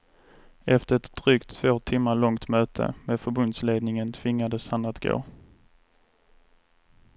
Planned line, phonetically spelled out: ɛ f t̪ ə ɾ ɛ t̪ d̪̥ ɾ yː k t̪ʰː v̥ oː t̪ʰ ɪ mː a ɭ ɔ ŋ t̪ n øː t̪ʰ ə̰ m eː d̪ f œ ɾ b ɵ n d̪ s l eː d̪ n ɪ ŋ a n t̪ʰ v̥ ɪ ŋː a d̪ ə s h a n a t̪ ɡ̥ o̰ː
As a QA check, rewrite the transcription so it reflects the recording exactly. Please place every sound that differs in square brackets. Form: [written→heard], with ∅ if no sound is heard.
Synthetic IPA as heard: ɛ f t̪ ə ɾ ɛ t̪ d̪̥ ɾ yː k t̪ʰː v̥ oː t̪ʰ ɪ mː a ɭ ɔ ŋ t̪ [n→m] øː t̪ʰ ə̰ m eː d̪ f œ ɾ b ɵ n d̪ s l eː d̪ n ɪ ŋ [a→ə] n t̪ʰ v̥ ɪ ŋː a d̪ ə s h a n a t̪ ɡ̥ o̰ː